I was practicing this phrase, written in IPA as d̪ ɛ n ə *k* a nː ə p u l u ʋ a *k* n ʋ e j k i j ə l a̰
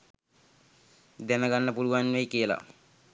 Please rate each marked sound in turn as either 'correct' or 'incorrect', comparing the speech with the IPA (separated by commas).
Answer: incorrect, incorrect